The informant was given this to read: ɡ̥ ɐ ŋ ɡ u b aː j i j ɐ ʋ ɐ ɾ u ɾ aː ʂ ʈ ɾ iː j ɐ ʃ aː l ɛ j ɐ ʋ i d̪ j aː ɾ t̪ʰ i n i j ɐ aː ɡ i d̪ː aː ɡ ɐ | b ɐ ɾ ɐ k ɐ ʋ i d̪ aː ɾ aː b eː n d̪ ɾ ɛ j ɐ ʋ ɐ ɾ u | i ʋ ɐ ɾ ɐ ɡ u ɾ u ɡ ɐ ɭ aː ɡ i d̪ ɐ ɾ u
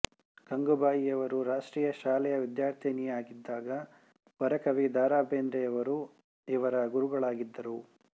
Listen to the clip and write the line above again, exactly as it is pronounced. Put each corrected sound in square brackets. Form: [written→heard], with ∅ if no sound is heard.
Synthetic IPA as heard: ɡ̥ ɐ ŋ ɡ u b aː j i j ɐ ʋ ɐ ɾ u ɾ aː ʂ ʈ ɾ iː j ɐ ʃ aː l ɛ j ɐ ʋ i d̪ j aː ɾ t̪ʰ i n i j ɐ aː ɡ i d̪ː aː ɡ ɐ | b ɐ ɾ ɐ k ɐ ʋ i d̪ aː ɾ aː b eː n d̪ ɾ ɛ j ɐ ʋ ɐ ɾ u | i ʋ ɐ ɾ ɐ ɡ u ɾ u ɡ ɐ ɭ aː ɡ i [d̪→d̪ː] ɐ ɾ u